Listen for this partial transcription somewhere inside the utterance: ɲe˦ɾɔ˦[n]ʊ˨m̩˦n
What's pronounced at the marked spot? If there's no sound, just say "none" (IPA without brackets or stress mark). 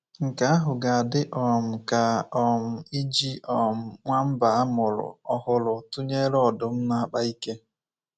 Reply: d